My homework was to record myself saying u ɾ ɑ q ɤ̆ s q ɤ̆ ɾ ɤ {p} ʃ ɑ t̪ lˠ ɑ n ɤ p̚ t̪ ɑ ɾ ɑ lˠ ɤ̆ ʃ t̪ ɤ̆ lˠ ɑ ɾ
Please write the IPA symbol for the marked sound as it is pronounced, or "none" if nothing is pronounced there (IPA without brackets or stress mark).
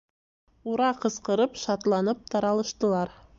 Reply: p